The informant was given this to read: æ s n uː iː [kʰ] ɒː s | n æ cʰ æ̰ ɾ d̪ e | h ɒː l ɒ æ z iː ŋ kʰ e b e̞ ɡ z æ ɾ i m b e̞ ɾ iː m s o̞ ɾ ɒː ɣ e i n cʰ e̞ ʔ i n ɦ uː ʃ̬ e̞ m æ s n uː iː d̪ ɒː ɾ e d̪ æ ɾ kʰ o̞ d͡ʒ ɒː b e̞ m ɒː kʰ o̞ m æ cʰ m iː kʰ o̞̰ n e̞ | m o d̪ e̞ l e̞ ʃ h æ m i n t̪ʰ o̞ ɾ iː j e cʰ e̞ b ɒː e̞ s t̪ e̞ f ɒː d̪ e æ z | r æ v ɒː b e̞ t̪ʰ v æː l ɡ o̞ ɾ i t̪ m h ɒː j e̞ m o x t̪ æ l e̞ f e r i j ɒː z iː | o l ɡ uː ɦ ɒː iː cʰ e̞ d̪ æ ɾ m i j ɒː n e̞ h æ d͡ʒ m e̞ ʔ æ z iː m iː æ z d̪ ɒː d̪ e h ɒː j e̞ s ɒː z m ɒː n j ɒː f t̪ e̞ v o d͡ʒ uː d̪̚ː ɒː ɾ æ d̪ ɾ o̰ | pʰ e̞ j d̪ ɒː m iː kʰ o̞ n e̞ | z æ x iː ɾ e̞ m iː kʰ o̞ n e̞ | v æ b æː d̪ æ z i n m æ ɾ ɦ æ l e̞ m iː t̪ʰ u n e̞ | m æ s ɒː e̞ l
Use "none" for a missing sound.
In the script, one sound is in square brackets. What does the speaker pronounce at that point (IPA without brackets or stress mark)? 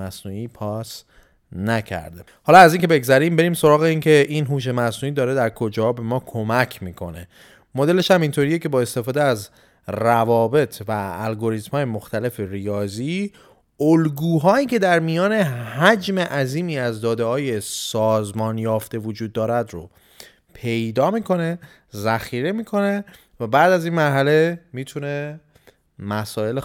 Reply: pʰ